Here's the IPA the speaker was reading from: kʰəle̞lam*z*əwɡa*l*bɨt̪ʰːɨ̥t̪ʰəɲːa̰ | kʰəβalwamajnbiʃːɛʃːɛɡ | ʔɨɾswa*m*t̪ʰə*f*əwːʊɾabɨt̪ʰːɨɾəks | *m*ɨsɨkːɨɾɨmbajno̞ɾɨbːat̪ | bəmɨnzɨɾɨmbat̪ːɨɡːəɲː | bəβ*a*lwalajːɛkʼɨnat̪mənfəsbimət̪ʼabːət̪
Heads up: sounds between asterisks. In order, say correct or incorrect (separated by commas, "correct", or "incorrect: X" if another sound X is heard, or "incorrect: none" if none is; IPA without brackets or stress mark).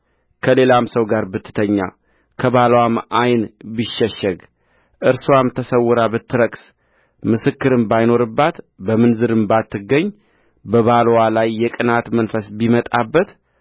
incorrect: s, incorrect: ɾ, correct, incorrect: s, correct, correct